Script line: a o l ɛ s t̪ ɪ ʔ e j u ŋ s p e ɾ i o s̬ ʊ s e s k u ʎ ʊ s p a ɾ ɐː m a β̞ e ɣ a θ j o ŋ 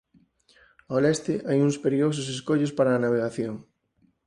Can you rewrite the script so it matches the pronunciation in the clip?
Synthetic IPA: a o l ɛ s t̪ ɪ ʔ a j u ŋ s p e ɾ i o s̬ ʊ s e s k o ʎ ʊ s p a ɾ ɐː n a β̞ e ɣ a θ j o ŋ